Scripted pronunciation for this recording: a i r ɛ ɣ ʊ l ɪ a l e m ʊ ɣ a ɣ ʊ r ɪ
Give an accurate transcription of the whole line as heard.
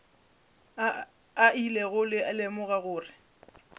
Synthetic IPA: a i l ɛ ɣ ʊ l ɪ a l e m ʊ ɣ a ɣ ʊː r ɪ